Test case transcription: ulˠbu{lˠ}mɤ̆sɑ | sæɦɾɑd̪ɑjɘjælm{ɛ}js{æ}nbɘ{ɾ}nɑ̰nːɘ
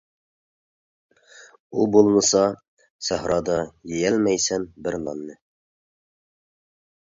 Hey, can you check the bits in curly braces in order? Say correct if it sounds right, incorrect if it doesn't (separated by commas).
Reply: correct, incorrect, correct, correct